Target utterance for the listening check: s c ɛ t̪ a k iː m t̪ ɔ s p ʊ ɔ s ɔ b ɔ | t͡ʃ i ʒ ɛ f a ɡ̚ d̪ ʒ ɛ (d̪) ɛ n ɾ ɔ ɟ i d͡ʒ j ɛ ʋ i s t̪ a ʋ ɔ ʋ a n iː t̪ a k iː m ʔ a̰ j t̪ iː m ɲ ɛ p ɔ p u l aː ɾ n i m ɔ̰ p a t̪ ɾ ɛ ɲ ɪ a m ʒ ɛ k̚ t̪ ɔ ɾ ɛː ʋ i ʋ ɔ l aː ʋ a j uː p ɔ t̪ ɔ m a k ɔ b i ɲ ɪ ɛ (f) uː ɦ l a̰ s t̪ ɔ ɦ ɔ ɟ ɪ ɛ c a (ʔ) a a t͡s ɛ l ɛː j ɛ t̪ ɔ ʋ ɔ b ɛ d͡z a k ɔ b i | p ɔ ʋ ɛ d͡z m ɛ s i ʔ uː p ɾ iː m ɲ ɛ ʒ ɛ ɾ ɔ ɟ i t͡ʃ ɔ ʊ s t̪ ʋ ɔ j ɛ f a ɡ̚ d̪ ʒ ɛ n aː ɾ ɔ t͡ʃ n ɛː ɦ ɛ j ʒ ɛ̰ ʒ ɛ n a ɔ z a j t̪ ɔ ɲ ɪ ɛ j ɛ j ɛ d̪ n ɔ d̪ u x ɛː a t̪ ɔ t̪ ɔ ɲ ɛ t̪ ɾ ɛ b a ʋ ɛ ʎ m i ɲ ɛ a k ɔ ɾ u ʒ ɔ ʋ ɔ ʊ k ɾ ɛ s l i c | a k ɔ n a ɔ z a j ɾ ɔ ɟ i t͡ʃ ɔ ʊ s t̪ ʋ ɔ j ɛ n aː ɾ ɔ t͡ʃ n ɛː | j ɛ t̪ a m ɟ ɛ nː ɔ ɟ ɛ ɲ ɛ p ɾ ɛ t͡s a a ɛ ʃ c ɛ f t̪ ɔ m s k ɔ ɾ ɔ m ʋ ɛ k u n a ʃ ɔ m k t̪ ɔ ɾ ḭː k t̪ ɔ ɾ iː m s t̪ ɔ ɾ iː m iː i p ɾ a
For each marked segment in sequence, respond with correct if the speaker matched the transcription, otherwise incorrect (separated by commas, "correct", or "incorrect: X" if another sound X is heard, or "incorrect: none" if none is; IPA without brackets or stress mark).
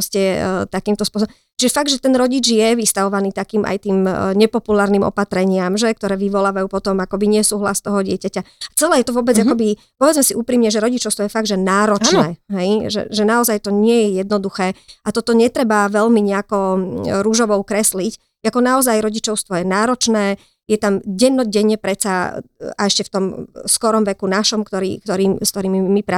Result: incorrect: t̪, incorrect: s, incorrect: c